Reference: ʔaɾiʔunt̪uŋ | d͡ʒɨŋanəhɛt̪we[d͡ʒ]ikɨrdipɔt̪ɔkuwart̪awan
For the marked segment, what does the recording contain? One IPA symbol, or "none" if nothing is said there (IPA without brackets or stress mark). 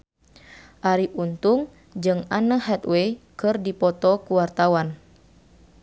none